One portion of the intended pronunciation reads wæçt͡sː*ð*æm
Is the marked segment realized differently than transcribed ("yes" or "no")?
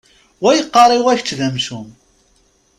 no